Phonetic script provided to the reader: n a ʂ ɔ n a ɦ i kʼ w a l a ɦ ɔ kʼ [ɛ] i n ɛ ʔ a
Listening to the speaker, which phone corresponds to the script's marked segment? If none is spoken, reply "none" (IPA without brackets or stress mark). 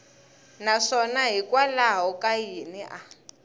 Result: a